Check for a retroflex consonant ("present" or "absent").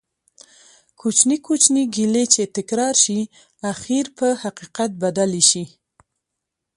absent